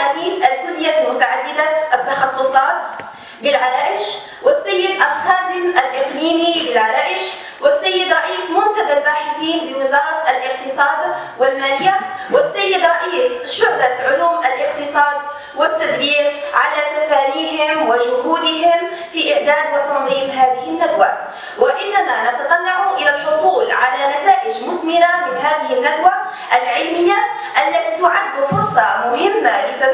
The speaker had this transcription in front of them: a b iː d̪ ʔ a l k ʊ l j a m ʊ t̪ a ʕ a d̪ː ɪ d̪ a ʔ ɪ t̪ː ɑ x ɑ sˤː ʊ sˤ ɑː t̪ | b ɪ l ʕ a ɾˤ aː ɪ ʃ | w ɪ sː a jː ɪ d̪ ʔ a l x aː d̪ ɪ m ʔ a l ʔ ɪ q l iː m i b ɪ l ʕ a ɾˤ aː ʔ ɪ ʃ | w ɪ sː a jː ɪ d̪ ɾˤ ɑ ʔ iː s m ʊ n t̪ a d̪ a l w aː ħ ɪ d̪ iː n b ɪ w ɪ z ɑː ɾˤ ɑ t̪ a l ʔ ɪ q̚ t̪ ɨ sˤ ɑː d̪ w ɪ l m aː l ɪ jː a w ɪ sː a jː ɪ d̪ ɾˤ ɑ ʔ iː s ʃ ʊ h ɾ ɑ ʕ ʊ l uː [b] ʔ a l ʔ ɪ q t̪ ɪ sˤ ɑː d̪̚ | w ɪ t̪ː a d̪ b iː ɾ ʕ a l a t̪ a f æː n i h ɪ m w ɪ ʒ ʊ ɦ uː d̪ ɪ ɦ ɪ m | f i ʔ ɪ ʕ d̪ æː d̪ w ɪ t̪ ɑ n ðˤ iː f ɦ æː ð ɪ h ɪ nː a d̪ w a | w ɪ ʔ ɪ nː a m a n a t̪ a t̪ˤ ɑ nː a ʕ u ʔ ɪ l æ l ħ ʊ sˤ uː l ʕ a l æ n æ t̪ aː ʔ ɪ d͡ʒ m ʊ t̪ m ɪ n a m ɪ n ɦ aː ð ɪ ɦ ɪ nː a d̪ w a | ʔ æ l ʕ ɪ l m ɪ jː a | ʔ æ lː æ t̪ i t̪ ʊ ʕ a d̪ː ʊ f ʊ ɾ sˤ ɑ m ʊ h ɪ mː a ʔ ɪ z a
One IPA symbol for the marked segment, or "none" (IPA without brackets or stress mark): m